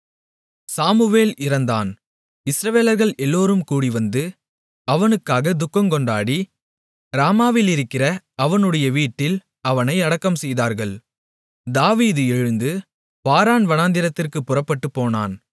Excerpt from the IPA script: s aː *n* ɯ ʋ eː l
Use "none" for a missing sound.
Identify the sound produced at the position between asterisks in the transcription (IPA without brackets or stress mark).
m